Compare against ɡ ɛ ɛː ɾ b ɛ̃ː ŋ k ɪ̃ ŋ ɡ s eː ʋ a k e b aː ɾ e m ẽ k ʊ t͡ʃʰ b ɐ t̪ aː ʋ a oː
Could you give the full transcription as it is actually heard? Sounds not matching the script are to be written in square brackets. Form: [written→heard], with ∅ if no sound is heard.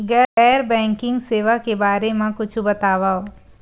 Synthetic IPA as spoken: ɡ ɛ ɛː ɾ b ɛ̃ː ŋ k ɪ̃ ŋ ɡ s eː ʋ a k e b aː ɾ e m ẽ k ʊ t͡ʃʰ b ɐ t̪ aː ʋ a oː